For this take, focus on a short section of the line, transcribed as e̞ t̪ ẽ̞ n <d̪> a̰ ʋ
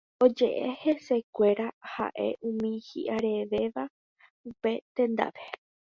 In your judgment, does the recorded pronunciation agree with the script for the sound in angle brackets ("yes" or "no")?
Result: yes